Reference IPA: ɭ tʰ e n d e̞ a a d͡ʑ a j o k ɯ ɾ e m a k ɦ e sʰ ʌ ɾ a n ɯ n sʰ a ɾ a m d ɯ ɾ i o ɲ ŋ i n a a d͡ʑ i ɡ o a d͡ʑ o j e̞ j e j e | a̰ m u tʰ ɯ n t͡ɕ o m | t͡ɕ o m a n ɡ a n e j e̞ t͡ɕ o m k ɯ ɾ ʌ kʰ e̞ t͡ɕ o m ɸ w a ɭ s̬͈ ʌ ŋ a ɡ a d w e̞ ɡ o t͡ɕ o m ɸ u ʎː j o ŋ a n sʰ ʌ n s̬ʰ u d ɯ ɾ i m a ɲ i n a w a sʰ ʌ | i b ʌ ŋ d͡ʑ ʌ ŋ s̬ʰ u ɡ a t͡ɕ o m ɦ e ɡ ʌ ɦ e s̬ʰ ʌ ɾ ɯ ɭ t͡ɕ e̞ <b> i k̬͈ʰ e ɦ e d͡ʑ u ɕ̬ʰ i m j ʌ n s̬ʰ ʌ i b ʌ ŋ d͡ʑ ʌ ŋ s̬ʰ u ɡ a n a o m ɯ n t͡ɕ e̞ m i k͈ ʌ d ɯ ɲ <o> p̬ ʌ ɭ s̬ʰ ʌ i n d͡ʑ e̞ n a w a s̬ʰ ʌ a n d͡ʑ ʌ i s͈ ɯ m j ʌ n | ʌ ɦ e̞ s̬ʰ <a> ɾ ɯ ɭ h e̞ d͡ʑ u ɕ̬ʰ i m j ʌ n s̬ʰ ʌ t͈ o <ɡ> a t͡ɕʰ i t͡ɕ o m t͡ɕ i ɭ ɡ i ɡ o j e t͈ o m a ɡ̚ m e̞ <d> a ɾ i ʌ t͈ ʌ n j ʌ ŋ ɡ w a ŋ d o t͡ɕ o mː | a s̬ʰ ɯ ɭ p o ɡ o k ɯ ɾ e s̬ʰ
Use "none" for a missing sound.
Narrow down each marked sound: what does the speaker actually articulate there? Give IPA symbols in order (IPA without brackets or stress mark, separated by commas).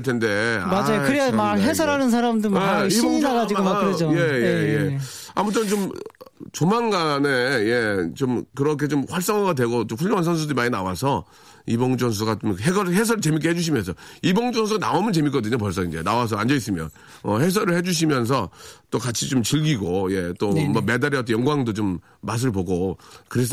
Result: m, o, ʌ, k, d